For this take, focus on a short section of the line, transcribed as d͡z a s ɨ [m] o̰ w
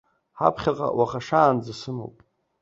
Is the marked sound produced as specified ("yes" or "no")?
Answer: yes